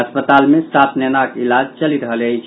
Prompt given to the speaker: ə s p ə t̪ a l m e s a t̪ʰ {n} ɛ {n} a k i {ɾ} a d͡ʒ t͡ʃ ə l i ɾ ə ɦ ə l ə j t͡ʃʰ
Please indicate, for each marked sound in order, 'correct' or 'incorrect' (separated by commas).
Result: correct, correct, incorrect